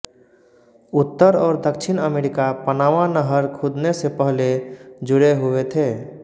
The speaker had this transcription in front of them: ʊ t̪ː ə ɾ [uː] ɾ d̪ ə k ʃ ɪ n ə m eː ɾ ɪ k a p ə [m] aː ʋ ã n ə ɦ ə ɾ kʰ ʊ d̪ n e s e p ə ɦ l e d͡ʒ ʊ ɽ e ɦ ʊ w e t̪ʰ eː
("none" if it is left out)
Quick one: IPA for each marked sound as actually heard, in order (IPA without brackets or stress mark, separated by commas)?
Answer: ɔː, n